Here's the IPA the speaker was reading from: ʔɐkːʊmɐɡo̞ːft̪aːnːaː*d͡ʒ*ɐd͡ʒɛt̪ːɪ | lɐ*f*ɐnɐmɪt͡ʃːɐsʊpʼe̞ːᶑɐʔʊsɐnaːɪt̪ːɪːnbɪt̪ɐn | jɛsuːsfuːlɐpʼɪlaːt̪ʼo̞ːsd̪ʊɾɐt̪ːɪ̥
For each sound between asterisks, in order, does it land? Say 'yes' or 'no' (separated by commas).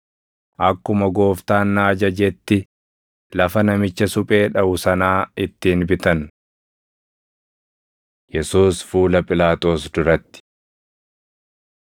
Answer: yes, yes